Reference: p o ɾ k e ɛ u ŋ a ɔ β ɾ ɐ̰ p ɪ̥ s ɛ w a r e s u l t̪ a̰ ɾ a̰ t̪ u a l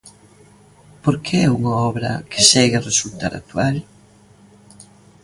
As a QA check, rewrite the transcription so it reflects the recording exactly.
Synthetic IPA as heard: p o ɾ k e ɛ u ŋ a ɔ β ɾ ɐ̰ k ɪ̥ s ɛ ɣ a r e s u l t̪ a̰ ɾ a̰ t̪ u a l